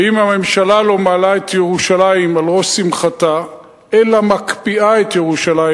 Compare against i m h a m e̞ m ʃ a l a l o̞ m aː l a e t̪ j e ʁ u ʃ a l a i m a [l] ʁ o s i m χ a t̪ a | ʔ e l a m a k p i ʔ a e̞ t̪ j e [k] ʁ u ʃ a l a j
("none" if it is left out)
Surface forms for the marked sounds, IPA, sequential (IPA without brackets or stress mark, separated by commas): l, none